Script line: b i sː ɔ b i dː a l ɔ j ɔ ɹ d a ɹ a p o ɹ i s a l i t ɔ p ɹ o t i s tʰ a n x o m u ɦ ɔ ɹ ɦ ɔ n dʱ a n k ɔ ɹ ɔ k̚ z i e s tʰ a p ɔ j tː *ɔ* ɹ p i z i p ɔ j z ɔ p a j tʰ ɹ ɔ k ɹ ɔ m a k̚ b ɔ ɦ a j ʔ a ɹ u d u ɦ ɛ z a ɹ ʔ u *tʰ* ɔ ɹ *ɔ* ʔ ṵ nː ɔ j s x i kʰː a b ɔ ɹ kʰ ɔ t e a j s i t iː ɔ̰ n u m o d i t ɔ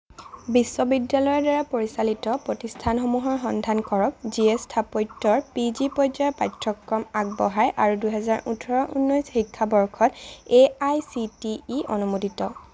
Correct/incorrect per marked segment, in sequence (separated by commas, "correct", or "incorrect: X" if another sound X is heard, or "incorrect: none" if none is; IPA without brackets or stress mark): correct, correct, correct